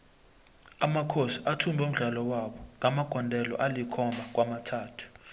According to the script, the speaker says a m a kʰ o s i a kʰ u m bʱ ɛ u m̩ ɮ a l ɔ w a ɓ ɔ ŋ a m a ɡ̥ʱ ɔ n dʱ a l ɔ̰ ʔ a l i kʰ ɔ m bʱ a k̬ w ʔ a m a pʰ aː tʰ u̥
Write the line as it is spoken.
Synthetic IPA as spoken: a m a kʰ o s i a tʰ u m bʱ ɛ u m̩ ɮ a l ɔ w a ɓ ɔ ŋ a m a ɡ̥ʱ ɔ n dʱ ɛ l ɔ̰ ʔ a l i kʰ ɔ m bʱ a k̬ w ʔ a m a tʰ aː tʰ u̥